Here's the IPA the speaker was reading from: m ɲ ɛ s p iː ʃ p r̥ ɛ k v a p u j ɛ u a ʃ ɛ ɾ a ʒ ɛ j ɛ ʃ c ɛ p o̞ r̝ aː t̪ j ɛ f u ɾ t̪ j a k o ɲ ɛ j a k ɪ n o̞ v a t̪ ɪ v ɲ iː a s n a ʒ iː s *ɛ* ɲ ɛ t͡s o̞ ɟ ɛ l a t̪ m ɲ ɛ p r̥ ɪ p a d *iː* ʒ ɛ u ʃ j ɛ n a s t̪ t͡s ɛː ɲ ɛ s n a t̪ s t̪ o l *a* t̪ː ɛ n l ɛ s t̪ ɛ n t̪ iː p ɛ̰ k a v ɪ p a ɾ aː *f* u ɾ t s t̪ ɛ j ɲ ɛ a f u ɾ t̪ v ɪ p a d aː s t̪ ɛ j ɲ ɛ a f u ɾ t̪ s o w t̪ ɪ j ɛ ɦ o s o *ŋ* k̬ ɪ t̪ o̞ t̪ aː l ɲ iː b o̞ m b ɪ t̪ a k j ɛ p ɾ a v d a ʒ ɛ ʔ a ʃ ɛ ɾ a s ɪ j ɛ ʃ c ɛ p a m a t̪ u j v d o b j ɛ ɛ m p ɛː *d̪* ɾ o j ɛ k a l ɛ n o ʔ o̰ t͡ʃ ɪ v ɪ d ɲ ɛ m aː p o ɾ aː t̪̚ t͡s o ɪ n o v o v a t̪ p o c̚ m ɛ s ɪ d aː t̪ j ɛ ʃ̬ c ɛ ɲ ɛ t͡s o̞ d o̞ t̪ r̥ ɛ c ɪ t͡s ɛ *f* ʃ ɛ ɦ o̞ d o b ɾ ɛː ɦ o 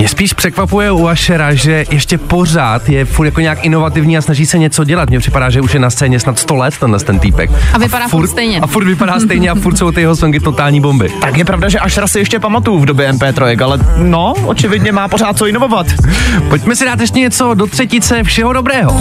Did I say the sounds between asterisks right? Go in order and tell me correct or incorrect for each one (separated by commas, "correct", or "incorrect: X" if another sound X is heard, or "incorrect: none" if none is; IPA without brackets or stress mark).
correct, incorrect: aː, incorrect: ɛ, correct, correct, incorrect: t̪, correct